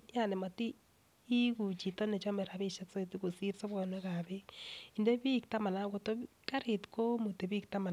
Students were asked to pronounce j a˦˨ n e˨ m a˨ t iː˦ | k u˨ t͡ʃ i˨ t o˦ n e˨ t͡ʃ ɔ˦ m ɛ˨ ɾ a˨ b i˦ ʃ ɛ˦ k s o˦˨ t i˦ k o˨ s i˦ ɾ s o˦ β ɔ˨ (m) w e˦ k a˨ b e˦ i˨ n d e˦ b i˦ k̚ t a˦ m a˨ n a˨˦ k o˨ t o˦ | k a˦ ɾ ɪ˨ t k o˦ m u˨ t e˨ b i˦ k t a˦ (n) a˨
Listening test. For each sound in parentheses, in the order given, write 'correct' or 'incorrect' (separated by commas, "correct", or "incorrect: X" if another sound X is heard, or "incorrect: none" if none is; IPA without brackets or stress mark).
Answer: incorrect: n, incorrect: m